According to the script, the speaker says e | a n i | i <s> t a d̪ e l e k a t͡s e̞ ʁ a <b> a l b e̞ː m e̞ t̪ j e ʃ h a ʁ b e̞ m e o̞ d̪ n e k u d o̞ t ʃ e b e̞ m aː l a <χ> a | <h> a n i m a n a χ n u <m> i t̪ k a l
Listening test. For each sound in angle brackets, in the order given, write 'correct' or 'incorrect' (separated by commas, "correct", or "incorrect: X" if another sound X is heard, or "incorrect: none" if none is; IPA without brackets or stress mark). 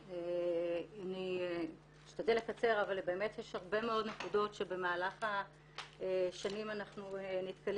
incorrect: ʃ, incorrect: v, correct, incorrect: ʃ, incorrect: n